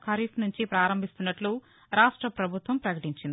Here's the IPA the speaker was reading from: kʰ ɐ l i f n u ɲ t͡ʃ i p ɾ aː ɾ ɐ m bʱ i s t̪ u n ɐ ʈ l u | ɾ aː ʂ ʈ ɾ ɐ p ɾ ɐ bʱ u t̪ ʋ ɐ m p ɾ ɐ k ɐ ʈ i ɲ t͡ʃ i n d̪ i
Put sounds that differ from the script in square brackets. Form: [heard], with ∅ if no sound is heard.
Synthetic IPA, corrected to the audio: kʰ ɐ [ɾ] i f n u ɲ t͡ʃ i p ɾ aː ɾ ɐ m bʱ i s t̪ u [nː] ɐ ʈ l u | ɾ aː ʂ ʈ ɾ ɐ p ɾ ɐ bʱ u t̪ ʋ ɐ m p ɾ ɐ k ɐ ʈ i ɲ t͡ʃ i n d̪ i